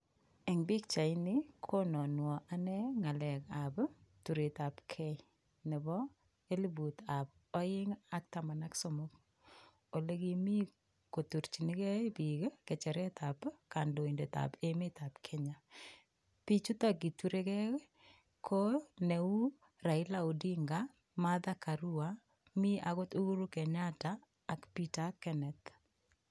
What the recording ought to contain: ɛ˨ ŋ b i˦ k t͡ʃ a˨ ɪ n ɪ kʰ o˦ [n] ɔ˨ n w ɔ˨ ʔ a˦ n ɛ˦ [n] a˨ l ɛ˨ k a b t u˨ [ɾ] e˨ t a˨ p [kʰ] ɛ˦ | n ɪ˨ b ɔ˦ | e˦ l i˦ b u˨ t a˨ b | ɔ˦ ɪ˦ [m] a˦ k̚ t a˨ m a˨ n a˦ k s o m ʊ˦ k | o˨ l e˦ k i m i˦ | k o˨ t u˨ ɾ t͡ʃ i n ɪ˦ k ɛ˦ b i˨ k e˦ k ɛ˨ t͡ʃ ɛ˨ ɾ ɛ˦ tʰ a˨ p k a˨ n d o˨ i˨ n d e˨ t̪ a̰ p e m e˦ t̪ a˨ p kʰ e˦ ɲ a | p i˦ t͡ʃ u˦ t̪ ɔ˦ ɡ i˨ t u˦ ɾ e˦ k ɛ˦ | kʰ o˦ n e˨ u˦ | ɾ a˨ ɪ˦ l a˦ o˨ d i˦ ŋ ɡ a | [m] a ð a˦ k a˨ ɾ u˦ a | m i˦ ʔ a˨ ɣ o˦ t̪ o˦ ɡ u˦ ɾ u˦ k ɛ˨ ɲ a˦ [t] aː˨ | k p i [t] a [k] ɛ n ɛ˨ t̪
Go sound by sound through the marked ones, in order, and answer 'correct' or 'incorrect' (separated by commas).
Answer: correct, incorrect, correct, correct, incorrect, correct, correct, correct, correct